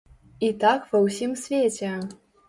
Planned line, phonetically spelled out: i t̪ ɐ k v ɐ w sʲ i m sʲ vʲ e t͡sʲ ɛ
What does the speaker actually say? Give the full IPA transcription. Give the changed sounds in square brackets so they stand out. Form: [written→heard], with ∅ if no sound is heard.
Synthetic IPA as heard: i t̪ [ɐ→a] k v ɐ w sʲ i m sʲ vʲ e t͡sʲ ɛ